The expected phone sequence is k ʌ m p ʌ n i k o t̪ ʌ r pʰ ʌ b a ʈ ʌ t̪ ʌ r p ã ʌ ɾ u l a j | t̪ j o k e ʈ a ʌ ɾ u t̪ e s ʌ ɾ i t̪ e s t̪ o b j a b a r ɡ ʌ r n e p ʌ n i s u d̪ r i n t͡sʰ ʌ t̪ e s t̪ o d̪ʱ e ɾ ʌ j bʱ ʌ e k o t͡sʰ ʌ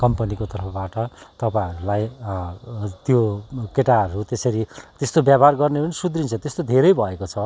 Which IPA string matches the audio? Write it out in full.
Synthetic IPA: k ʌ m p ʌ n i k o t̪ ʌ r pʰ ʌ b a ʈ ʌ t̪ ʌ p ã ʌ ɾ u l a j | t̪ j o k e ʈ a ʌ ɾ u t̪ e s ʌ ɾ i t̪ e s t̪ o b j a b a r ɡ ʌ r n e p ʌ n i s u d̪ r i n t͡sʰ ʌ t̪ e s t̪ o d̪ʱ e ɾ ʌ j bʱ ʌ e k o t͡sʰ ʌ